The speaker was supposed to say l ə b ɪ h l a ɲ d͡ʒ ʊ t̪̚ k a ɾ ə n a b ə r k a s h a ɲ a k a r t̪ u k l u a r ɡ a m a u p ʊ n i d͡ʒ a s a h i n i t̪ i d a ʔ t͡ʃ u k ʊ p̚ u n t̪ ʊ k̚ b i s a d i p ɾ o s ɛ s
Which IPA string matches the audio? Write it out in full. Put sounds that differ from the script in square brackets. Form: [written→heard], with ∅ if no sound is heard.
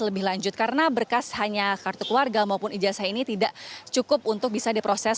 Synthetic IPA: l ə b ɪ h l a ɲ d͡ʒ ʊ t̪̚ k a ɾ ə n a b ə r k a s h a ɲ a k a r t̪ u k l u a r ɡ a m a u p ʊ n i d͡ʒ a s a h i n i t̪ i d a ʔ t͡ʃ u k ʊ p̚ u n t̪ ʊ k̚ b i s a d i p ɾ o s ɛ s